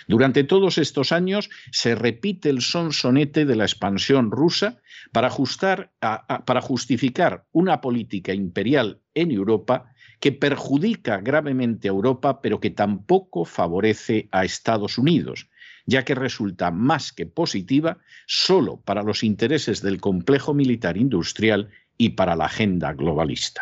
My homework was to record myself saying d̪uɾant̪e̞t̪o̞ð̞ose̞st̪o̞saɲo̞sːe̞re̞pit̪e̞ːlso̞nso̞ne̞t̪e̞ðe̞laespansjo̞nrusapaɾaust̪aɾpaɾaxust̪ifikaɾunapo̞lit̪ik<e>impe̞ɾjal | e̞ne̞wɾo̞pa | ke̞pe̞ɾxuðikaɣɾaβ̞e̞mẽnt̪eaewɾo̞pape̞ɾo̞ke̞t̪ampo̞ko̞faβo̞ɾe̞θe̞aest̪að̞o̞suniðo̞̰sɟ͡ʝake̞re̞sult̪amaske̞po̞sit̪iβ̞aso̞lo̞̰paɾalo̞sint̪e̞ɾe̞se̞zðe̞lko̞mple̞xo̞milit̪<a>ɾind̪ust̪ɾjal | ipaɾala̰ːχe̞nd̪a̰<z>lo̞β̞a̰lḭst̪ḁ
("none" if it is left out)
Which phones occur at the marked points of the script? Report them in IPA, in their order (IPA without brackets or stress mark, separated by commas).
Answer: a, a, ɣ